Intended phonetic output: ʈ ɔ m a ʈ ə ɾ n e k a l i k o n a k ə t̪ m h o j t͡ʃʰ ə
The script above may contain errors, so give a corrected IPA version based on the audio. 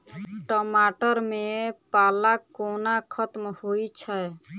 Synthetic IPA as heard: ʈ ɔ m a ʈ ə ɾ m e p a l a k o n a kʰ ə t̪ m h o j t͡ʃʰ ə